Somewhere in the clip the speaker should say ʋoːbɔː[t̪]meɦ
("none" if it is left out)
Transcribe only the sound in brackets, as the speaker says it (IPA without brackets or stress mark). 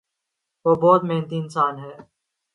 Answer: t̪